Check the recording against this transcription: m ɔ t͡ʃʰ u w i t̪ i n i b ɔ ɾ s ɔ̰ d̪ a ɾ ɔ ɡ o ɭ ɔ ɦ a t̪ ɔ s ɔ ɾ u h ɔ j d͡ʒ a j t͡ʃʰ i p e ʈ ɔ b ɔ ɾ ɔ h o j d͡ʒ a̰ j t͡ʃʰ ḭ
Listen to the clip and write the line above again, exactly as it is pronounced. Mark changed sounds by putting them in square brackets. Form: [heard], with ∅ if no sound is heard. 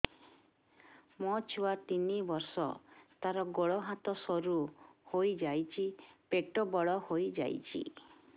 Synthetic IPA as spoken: m ɔ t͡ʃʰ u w [a] t̪ i n i b ɔ ɾ s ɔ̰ [t̪] a ɾ ɔ ɡ o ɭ ɔ ɦ a t̪ ɔ s ɔ ɾ u h [o] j d͡ʒ a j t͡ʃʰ i p e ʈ ɔ b ɔ [ɭ] ɔ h o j d͡ʒ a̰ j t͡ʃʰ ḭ